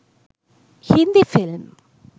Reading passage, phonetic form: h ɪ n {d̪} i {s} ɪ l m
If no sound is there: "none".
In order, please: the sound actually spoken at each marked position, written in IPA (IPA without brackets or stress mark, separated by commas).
d̪, f